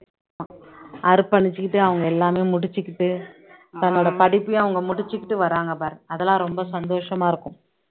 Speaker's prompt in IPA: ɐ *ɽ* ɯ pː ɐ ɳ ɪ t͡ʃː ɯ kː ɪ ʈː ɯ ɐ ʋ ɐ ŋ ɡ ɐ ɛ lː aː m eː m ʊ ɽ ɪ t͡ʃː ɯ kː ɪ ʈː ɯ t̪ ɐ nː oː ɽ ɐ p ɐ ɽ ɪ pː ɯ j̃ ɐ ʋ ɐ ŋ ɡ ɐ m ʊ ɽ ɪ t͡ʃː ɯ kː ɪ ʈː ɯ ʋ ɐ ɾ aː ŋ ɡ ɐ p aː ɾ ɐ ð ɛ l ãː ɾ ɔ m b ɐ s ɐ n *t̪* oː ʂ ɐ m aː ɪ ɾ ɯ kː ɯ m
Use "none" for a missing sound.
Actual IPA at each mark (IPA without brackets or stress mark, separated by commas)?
ɾ, d̪